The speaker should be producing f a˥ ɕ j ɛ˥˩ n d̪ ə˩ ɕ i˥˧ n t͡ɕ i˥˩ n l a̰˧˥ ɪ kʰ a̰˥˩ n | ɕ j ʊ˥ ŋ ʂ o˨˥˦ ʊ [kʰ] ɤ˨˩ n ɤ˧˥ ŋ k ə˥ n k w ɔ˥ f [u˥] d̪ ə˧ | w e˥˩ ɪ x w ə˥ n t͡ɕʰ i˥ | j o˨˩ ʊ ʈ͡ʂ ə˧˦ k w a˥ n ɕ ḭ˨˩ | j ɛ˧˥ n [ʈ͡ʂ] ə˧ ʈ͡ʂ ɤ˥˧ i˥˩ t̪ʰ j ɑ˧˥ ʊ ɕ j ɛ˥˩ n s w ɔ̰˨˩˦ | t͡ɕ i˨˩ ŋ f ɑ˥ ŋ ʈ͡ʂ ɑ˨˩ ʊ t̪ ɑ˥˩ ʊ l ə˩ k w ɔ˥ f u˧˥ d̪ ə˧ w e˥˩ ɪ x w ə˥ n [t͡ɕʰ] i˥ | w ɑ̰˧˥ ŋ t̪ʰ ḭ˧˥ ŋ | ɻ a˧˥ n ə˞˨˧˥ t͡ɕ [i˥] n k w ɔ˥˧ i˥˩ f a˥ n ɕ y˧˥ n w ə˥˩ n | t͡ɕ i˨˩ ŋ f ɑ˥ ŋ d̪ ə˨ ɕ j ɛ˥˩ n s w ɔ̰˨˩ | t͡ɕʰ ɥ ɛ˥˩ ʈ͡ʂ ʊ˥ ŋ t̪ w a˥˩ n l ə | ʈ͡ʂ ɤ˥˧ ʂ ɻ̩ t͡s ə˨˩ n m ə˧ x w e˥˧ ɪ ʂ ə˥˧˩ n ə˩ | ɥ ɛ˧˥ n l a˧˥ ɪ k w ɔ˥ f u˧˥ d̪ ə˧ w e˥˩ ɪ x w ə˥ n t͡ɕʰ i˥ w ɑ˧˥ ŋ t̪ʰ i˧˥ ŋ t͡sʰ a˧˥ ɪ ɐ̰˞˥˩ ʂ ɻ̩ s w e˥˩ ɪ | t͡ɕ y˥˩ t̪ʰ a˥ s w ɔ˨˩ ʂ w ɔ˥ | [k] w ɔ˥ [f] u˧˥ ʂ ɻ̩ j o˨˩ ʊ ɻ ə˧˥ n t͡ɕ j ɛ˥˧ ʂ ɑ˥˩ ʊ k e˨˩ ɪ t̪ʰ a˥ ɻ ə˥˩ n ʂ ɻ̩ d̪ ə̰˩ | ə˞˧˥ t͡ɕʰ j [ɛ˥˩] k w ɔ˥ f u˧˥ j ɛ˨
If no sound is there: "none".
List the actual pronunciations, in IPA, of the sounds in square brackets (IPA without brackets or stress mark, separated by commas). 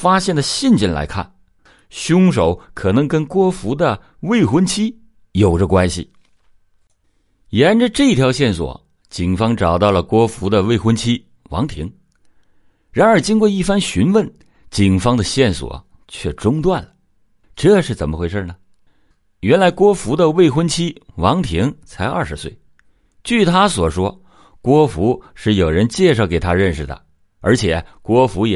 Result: kʰ, u˧˥, ʈ͡ʂ, t͡ɕʰ, i˥, k, f, ɛ˨˩˦